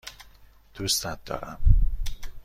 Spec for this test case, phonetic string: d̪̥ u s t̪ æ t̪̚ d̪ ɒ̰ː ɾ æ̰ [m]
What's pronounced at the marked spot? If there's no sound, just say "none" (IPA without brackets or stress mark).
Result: m